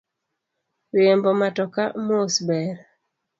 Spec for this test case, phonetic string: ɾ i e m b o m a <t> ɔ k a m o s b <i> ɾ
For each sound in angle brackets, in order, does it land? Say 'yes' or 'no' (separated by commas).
yes, no